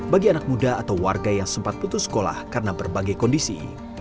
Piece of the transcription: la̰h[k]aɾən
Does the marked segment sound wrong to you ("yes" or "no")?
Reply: no